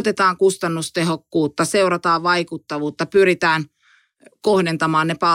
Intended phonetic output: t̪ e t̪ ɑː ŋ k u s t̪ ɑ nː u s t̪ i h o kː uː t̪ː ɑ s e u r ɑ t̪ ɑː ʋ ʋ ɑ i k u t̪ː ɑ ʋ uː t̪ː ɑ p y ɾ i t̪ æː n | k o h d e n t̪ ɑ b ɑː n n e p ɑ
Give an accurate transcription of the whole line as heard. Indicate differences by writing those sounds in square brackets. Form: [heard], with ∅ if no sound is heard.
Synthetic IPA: t̪ e t̪ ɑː ŋ k u s t̪ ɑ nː u s t̪ [e] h o kː uː t̪ː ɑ s e u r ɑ t̪ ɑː ʋ ʋ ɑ i k u t̪ː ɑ ʋ uː t̪ː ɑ p y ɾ i t̪ æː n | k o h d e n t̪ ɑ [m] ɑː n n e p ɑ